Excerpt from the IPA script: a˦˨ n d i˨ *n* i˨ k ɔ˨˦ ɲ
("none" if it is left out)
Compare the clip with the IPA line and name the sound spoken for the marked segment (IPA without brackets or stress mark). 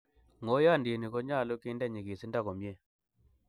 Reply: n